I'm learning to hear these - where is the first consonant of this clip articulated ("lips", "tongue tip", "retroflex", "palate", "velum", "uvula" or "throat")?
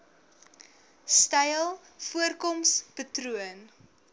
tongue tip